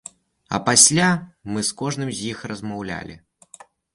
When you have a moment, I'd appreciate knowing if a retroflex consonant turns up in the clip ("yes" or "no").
yes